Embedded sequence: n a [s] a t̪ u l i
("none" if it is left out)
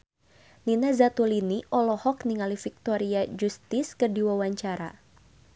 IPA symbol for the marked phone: z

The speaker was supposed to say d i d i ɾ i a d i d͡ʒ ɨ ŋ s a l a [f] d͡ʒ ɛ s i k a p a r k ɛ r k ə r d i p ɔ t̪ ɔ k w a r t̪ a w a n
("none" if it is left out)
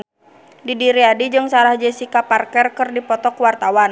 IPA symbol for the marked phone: h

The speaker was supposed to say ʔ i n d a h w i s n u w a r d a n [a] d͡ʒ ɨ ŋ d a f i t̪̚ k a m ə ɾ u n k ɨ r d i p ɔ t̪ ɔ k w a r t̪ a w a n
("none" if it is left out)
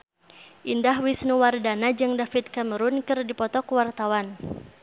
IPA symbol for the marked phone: a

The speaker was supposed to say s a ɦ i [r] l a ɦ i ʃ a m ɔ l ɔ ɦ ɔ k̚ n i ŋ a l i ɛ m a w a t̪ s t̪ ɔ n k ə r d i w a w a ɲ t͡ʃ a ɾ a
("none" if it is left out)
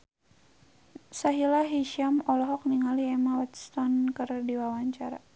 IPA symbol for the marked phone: none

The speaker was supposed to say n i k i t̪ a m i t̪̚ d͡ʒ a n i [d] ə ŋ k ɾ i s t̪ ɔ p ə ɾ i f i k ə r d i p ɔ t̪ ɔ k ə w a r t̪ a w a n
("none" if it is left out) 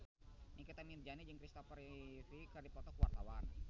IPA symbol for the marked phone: d͡ʒ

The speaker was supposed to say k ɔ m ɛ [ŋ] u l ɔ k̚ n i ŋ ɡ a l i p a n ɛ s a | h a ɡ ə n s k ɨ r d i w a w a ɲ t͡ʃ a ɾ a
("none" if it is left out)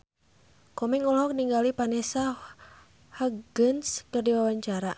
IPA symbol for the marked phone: ŋ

